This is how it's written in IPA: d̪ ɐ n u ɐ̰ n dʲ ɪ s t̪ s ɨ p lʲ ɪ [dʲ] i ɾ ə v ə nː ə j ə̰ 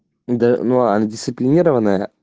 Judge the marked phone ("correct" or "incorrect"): incorrect